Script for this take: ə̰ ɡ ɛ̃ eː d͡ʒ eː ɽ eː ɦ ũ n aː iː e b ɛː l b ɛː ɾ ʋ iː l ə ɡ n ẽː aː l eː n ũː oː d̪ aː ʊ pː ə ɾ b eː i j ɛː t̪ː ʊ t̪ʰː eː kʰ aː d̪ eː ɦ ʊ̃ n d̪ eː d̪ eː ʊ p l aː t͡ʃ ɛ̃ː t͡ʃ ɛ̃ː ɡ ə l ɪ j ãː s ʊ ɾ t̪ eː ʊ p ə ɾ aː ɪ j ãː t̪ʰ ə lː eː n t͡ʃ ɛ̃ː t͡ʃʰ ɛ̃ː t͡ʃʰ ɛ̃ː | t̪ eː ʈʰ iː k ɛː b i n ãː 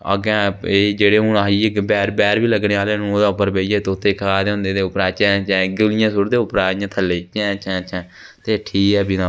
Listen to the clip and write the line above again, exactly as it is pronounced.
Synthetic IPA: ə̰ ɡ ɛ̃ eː d͡ʒ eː ɽ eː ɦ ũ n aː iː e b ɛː ɾ b ɛː ɾ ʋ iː l ə ɡ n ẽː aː l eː n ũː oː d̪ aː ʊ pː ə ɾ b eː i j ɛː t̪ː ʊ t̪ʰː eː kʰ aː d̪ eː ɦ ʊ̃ n d̪ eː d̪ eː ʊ p ɾ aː t͡ʃ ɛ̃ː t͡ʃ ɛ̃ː ɡ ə l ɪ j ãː s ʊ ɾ d̪ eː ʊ p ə ɾ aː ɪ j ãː t̪ʰ ə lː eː t͡ʃ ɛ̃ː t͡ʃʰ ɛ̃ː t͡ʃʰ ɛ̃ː | t̪ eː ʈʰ iː k ɛː b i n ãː